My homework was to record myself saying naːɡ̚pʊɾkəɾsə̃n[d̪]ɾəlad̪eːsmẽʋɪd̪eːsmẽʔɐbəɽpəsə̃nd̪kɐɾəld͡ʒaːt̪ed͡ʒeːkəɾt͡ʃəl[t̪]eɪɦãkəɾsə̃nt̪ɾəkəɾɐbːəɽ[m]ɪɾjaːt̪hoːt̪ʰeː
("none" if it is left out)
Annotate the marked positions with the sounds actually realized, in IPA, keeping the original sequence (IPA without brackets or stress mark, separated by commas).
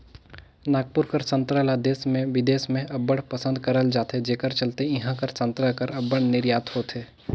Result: t̪, t̪, n